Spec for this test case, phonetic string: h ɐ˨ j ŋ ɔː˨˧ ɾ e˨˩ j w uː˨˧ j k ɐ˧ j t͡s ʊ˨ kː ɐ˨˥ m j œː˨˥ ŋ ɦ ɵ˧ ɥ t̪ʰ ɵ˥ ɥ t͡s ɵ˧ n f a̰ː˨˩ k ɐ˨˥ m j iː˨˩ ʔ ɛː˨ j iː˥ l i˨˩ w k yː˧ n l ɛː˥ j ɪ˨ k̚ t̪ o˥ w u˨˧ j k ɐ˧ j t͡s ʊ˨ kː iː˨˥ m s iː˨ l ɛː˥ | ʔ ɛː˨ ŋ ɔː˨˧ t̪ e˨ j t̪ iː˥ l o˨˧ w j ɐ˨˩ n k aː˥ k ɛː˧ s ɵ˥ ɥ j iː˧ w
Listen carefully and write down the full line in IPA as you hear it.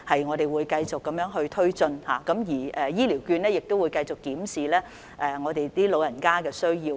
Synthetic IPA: h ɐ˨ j ŋ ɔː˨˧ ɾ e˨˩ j w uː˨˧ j k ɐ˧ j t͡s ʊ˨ kː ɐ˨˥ m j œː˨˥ ŋ ɦ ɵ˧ ɥ t̪ʰ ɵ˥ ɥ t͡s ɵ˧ n h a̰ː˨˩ k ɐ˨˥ m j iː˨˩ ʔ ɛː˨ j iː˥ l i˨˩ w k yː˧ n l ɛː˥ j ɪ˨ k̚ t̪ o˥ w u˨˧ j k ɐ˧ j t͡s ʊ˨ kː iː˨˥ m s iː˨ l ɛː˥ | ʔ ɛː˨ ŋ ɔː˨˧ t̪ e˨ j t̪ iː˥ l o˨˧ w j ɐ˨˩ n k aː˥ k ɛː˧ s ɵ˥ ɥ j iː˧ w